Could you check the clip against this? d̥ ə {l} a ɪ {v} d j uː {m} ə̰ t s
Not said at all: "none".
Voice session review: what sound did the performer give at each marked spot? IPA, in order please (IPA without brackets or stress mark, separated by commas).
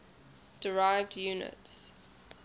ɹ, v, n